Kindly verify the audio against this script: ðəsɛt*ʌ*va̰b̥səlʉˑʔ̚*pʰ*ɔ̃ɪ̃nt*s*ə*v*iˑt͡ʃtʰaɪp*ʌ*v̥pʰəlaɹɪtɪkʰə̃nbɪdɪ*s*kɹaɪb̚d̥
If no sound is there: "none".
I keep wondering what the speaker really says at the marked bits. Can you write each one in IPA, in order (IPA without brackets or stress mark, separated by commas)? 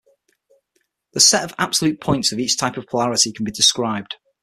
ə, pʰ, s, v, ə, s